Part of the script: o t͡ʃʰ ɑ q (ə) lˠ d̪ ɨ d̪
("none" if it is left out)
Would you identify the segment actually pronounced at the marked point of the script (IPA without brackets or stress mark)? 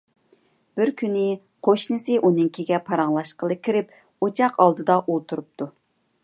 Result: ɑ